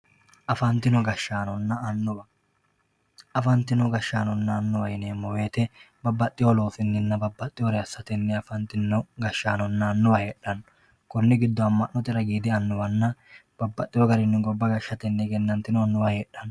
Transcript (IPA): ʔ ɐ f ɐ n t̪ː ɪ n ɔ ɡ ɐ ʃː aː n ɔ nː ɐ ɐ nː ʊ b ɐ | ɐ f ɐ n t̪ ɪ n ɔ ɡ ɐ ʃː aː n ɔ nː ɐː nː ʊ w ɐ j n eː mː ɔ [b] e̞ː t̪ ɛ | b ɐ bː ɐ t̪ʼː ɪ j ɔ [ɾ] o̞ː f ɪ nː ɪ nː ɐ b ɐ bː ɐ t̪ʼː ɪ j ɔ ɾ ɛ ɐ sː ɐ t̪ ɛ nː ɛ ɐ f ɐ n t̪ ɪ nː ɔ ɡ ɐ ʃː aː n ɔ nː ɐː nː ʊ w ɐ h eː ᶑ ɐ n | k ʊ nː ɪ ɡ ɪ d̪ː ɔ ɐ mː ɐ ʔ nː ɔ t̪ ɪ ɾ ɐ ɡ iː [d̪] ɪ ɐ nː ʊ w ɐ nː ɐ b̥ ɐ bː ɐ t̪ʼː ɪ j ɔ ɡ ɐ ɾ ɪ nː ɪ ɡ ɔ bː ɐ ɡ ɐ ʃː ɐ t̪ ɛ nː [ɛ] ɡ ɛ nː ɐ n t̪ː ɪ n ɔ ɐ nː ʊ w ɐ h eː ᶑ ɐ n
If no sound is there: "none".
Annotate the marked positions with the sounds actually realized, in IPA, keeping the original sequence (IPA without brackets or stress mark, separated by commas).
w, l, d̪, ɛ